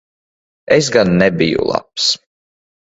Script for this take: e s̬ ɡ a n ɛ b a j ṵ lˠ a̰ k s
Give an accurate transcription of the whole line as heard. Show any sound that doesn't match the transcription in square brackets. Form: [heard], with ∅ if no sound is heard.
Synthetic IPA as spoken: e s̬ ɡ a [nː] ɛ b [i] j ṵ lˠ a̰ [p] s